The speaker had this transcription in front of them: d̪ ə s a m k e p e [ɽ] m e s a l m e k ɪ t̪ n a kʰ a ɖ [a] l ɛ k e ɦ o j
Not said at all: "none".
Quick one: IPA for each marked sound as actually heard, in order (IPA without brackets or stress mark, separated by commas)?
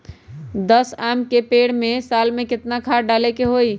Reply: ɽ, a